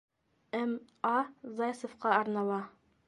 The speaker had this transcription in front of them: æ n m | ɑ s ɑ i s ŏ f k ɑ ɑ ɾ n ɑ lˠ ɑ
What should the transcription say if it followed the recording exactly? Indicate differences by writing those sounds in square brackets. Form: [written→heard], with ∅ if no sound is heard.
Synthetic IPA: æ [n→∅] m | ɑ [s→z] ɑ [i→j] s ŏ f [k→q] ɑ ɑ ɾ n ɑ lˠ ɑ

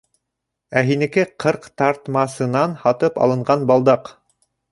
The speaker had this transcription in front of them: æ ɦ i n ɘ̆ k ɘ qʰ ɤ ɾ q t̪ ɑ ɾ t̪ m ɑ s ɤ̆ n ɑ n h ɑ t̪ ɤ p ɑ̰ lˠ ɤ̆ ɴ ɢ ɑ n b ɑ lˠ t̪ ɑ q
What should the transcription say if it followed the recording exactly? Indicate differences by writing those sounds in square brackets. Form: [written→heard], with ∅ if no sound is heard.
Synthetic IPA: æ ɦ i n ɘ̆ k ɘ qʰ ɤ ɾ q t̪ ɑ ɾ t̪ m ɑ s ɤ̆ n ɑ n h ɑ t̪ ɤ p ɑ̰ lˠ ɤ̆ ɴ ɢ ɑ n b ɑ lˠ [t̪→d̪] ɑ q

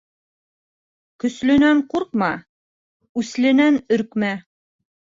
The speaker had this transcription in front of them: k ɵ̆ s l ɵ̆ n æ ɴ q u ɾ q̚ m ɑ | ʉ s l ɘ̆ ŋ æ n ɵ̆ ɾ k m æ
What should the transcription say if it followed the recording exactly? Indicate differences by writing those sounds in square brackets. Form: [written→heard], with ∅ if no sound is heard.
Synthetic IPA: k ɵ̆ s l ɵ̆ n æ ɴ q u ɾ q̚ m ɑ | ʉ s l ɘ̆ [ŋ→n] æ n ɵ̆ ɾ k m æ

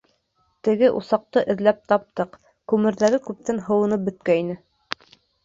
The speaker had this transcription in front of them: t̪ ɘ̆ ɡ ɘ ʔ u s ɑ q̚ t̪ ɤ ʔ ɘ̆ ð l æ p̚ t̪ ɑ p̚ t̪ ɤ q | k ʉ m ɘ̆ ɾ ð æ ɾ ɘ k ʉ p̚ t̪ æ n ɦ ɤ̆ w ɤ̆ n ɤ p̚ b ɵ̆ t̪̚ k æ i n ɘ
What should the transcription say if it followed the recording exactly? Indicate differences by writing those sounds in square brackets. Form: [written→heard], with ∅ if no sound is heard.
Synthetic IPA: t̪ ɘ̆ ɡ ɘ ʔ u s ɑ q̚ t̪ ɤ ʔ ɘ̆ ð l æ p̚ t̪ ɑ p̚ t̪ ɤ q | k ʉ m ɘ̆ ɾ ð æ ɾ ɘ k ʉ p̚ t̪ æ n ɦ ɤ̆ w ɤ̆ n ɤ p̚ b ɵ̆ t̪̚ k æ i n ɘ

